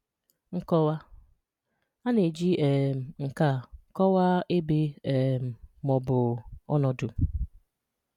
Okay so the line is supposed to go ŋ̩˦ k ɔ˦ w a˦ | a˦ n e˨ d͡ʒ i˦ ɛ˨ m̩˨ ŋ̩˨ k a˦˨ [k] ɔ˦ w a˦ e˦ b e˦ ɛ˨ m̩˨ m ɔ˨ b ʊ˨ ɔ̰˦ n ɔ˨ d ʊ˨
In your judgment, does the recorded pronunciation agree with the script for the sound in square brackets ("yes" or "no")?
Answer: yes